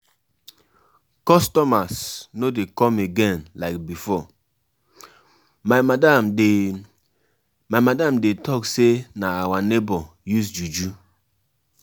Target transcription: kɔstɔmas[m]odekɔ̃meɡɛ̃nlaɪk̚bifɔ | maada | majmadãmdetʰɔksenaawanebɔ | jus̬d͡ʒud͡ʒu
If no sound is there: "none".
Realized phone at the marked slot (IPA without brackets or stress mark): n